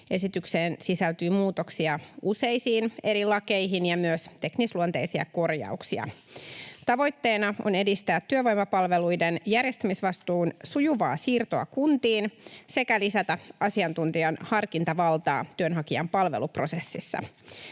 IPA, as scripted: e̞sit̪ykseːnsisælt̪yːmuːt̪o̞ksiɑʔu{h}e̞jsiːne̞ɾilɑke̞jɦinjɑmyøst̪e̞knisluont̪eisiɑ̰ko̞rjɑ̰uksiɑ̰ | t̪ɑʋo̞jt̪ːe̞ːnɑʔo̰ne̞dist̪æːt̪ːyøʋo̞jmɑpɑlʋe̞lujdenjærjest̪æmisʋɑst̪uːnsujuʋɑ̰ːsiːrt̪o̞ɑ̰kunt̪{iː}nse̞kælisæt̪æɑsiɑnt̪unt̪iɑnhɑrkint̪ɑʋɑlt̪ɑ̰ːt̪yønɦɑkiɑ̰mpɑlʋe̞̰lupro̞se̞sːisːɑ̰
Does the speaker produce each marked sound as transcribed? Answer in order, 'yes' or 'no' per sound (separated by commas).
no, yes